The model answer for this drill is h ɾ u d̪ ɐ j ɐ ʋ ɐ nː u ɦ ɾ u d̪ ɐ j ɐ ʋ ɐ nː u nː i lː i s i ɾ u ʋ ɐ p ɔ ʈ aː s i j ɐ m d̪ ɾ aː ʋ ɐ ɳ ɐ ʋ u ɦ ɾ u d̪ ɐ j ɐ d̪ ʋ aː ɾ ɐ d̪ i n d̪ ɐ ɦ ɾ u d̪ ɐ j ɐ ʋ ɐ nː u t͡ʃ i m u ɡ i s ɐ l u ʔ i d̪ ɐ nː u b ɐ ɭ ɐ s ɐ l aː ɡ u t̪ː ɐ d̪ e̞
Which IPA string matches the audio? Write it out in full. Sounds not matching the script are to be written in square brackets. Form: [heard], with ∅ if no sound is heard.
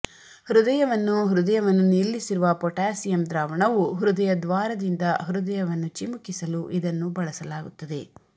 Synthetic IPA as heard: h ɾ u d̪ ɐ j ɐ ʋ ɐ nː u ɦ ɾ u d̪ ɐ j ɐ ʋ ɐ nː u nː i lː i s i ɾ u ʋ ɐ p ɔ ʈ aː s i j ɐ m d̪ ɾ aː ʋ ɐ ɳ ɐ ʋ u ɦ ɾ u d̪ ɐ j ɐ d̪ ʋ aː ɾ ɐ d̪ i n d̪ ɐ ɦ ɾ u d̪ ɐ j ɐ ʋ ɐ nː u t͡ʃ i m u [k] i s ɐ l u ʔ i d̪ ɐ nː u b ɐ ɭ ɐ s ɐ l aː ɡ u t̪ː ɐ d̪ e̞